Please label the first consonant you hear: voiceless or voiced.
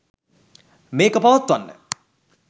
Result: voiced